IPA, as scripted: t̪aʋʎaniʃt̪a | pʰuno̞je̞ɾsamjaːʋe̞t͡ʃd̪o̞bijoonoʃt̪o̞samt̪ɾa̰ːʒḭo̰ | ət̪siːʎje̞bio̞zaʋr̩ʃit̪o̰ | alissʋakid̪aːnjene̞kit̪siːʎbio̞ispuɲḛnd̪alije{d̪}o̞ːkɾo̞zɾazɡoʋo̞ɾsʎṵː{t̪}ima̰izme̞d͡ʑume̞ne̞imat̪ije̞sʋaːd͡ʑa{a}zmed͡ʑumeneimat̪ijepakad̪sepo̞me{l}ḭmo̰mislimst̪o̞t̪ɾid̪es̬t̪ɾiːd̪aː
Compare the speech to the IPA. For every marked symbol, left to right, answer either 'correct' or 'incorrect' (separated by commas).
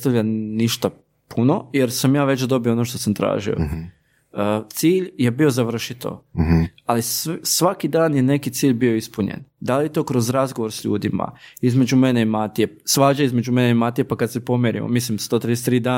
incorrect, incorrect, incorrect, incorrect